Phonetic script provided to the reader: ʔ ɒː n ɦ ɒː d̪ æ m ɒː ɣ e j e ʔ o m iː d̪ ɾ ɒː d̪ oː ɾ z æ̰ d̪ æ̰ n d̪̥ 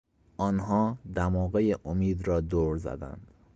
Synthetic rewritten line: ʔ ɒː n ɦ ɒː d̪ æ m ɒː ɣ e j e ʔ o m iː d̪ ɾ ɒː d̪ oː ɾ z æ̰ d̪ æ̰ n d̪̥